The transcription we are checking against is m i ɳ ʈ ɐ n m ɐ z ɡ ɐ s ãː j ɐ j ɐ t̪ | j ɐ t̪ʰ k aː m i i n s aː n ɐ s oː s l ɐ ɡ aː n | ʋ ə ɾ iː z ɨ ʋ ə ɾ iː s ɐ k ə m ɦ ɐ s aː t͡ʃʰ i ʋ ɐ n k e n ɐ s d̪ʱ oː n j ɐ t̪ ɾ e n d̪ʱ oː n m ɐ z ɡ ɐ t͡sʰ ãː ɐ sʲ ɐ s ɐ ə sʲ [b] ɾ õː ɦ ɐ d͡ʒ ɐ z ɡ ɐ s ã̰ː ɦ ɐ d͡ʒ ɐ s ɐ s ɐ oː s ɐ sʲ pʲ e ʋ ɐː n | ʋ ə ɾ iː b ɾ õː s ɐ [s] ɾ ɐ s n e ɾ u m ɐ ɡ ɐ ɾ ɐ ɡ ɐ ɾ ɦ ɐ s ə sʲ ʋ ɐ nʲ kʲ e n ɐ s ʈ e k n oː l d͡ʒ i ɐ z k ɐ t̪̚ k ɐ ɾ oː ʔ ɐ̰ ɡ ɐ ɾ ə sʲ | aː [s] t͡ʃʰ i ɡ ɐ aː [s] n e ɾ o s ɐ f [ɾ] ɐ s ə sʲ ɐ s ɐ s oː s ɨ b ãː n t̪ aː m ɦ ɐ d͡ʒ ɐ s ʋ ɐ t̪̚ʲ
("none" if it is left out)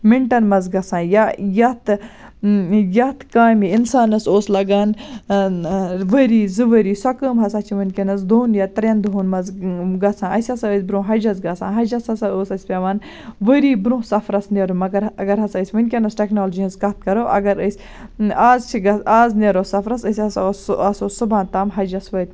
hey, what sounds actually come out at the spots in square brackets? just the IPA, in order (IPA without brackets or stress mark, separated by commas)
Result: b, f, z, z, ɾ